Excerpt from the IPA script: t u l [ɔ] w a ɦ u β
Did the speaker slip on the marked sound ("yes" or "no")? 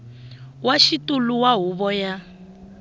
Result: yes